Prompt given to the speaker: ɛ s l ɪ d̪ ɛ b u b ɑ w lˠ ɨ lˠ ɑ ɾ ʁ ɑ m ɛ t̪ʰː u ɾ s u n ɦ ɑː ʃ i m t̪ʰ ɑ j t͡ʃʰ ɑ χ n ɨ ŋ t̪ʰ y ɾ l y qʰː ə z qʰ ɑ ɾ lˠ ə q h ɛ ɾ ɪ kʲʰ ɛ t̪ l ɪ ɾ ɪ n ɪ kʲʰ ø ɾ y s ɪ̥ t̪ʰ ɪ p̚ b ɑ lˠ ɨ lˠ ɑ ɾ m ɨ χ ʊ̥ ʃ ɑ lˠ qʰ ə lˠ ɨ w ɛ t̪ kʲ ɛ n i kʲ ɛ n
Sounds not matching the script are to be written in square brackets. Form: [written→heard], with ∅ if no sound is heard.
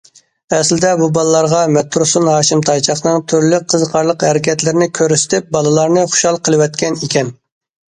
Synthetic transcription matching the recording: ɛ s l ɪ d̪ ɛ b u b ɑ [w→∅] lˠ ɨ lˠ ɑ ɾ ʁ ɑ m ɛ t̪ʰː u ɾ s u n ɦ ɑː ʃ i m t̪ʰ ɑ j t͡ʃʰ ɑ χ n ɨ ŋ t̪ʰ y ɾ l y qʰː ə z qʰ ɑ ɾ lˠ ə q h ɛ ɾ ɪ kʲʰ ɛ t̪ l ɪ ɾ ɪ n ɪ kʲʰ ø ɾ y s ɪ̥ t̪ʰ ɪ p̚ b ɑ lˠ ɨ lˠ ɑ ɾ [m→n] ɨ χ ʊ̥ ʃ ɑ lˠ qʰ ə lˠ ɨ w ɛ t̪ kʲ ɛ n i kʲ ɛ n